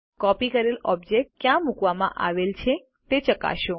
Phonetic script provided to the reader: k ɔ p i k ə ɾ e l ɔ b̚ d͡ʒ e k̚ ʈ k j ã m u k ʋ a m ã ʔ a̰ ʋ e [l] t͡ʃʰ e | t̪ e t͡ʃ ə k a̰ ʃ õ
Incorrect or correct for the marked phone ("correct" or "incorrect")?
correct